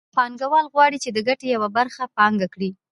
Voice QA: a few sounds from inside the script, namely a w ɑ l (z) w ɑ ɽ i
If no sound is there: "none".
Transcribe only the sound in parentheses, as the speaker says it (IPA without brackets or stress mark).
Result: ɣ